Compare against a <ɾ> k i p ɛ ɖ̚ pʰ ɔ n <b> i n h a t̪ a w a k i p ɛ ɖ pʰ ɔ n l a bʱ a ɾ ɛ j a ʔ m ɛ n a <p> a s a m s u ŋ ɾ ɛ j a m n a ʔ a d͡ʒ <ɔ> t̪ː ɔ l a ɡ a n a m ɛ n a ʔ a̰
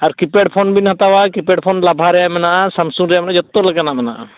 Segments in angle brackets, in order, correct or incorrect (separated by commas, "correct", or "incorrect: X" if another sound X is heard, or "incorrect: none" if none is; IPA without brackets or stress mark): correct, correct, incorrect: ʔ, correct